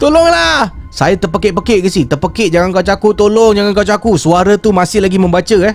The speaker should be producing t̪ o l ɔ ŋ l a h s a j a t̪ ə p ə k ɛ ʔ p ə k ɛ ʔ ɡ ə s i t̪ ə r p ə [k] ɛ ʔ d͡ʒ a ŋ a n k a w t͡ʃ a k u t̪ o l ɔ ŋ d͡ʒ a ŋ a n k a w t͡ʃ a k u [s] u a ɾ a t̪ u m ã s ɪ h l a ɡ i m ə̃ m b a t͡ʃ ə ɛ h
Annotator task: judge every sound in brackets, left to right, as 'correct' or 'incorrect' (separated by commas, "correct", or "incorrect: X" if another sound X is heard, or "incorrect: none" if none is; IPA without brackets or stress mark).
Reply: correct, correct